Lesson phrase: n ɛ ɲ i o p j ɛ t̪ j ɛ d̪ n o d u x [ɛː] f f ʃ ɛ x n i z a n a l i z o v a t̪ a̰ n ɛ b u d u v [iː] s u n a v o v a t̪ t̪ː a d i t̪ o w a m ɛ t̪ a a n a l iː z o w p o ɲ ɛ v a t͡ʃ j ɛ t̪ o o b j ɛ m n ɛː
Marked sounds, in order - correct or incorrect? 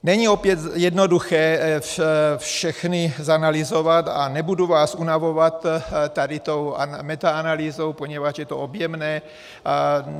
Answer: correct, incorrect

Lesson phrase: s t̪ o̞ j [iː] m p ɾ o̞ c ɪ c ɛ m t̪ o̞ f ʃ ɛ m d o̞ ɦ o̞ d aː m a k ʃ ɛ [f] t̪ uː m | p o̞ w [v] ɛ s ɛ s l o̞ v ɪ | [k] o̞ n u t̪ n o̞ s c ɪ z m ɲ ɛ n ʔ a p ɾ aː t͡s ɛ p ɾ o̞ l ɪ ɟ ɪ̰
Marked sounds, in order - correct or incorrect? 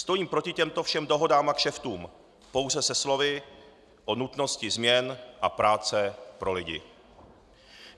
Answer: correct, correct, incorrect, incorrect

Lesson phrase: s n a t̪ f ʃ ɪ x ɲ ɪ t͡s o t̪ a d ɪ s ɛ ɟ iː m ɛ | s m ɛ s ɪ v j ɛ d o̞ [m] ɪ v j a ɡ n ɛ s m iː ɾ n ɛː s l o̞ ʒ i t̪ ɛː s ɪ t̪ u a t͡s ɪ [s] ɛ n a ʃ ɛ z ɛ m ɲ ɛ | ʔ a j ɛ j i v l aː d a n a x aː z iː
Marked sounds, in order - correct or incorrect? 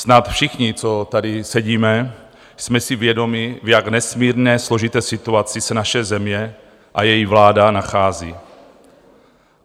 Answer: correct, correct

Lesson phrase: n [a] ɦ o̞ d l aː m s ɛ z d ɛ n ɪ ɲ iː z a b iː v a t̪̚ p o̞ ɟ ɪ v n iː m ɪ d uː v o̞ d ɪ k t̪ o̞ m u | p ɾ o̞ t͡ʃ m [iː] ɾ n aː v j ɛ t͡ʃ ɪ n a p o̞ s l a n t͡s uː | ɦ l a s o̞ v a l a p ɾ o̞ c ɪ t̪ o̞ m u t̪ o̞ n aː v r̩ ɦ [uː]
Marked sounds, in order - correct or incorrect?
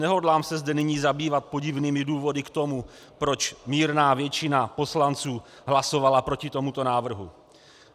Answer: incorrect, correct, incorrect

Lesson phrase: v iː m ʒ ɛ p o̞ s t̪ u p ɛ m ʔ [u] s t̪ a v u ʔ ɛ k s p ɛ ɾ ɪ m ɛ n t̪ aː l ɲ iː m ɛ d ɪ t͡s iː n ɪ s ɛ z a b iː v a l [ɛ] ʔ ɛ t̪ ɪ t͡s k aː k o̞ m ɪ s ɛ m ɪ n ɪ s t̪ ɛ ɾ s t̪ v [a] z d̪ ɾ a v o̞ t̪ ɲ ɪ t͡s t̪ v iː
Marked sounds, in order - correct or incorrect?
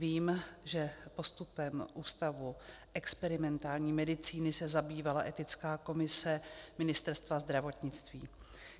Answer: incorrect, incorrect, correct

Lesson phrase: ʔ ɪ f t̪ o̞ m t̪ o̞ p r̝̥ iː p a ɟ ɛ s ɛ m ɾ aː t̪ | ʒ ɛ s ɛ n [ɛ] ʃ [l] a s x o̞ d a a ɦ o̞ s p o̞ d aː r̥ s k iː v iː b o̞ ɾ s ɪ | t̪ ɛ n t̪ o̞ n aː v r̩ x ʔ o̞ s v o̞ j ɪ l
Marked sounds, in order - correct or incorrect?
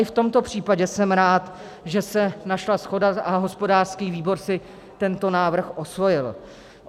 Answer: incorrect, correct

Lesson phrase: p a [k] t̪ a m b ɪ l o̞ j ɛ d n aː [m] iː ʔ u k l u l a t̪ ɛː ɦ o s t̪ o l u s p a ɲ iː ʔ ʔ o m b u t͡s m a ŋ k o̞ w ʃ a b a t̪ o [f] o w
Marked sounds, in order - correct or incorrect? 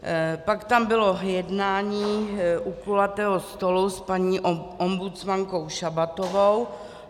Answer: correct, incorrect, incorrect

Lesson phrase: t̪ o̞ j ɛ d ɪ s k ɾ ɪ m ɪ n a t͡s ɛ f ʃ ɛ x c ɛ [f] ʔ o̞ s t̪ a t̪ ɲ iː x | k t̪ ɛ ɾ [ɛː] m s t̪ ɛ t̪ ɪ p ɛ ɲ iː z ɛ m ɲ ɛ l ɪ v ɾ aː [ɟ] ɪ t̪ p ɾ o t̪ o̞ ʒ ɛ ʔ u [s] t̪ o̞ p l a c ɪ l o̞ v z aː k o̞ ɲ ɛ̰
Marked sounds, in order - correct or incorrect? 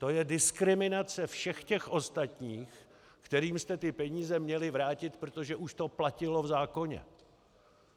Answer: incorrect, incorrect, incorrect, incorrect

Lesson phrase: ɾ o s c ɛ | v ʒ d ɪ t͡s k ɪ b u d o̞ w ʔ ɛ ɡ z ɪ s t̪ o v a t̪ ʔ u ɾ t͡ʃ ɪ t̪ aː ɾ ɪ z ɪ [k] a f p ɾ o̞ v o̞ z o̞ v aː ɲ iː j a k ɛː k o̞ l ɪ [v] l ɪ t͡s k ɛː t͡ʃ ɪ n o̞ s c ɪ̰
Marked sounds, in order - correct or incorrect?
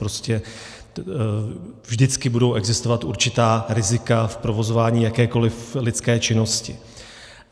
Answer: correct, incorrect

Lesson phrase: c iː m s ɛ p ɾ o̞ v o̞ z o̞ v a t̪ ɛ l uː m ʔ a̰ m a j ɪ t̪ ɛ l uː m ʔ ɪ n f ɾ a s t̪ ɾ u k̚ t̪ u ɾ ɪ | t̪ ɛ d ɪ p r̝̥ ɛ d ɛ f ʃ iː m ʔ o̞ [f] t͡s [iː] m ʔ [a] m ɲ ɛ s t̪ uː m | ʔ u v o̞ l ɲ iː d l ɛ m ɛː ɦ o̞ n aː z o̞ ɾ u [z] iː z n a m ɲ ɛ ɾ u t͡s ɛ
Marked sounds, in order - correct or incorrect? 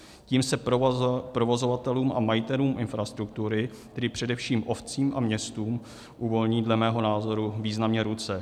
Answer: correct, correct, correct, incorrect

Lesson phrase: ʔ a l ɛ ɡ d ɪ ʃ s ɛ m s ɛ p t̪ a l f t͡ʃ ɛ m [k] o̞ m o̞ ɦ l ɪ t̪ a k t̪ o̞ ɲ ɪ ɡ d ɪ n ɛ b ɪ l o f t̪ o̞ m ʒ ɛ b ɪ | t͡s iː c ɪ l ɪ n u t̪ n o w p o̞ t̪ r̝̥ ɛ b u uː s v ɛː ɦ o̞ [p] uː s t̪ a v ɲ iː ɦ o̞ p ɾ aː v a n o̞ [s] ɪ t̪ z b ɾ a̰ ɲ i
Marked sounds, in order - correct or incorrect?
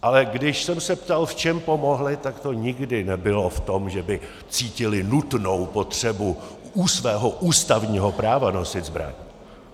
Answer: incorrect, incorrect, correct

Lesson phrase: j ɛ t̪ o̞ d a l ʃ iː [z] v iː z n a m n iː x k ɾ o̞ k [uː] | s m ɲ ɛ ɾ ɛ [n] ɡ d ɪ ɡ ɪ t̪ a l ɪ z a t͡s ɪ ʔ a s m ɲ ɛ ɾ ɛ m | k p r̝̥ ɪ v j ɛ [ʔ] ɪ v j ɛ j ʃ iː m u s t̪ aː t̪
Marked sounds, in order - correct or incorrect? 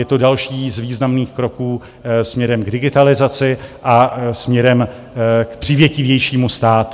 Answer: correct, correct, incorrect, incorrect

